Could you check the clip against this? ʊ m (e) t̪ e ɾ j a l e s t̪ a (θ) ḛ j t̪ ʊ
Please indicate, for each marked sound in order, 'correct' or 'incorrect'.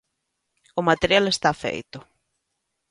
incorrect, incorrect

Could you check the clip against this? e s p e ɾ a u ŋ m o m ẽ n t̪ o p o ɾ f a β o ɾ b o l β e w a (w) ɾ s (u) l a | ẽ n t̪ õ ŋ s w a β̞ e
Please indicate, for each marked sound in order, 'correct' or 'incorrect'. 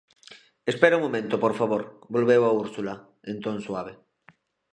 incorrect, correct

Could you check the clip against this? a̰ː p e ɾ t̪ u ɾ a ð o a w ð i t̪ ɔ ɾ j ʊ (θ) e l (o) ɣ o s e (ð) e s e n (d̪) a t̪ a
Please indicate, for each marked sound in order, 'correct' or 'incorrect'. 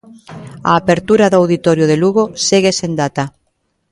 incorrect, incorrect, incorrect, correct

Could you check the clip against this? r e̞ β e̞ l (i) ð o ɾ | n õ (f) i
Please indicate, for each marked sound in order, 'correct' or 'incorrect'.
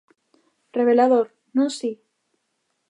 incorrect, incorrect

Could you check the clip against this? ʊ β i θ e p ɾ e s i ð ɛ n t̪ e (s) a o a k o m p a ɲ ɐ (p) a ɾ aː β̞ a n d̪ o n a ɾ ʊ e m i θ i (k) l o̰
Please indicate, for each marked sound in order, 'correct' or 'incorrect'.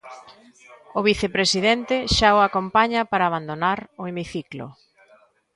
incorrect, correct, correct

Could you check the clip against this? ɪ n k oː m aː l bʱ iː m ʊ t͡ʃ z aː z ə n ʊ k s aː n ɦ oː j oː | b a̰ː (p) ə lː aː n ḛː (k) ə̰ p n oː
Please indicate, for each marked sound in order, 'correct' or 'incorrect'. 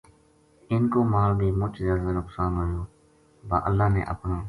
incorrect, incorrect

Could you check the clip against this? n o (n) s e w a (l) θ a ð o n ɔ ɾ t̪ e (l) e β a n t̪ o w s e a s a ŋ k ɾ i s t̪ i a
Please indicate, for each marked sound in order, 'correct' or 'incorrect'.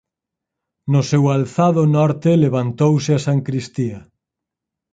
incorrect, correct, correct

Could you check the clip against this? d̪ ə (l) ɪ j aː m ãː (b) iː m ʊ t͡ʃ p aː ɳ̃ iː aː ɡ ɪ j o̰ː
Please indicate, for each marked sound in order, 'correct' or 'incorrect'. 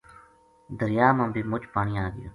incorrect, correct

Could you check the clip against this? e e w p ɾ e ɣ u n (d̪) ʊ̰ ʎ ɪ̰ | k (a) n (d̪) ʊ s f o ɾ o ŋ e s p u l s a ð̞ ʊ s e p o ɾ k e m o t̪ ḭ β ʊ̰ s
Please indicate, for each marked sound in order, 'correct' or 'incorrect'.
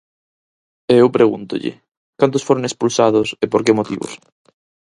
incorrect, correct, incorrect

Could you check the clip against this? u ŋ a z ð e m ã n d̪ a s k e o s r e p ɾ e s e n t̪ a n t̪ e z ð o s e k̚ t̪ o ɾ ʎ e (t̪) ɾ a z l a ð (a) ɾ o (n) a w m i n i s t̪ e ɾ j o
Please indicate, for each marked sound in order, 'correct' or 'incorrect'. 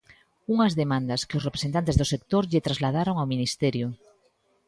correct, correct, incorrect

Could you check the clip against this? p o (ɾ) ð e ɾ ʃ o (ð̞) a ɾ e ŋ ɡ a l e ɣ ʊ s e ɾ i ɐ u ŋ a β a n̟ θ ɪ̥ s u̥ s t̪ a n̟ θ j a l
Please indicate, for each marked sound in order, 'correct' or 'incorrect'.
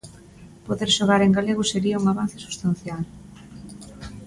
incorrect, incorrect

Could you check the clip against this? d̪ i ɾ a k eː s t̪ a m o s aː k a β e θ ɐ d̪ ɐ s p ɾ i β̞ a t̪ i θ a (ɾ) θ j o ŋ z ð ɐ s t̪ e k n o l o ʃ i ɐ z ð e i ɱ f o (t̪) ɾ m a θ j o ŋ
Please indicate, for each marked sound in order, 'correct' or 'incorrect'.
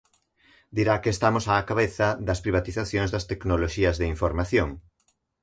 incorrect, incorrect

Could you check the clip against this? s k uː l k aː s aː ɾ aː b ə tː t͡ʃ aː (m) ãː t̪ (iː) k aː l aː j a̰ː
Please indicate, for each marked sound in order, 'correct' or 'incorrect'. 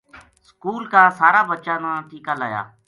incorrect, correct

